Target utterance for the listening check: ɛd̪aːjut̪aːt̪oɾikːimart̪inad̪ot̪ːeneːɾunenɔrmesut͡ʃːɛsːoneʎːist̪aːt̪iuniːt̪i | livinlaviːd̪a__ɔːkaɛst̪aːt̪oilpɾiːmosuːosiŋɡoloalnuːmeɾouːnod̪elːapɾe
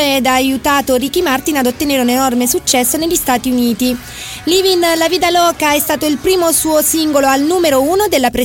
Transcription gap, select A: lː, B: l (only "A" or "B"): B